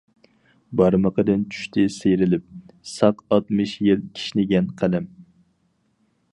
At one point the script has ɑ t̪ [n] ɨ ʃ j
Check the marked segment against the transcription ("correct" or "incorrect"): incorrect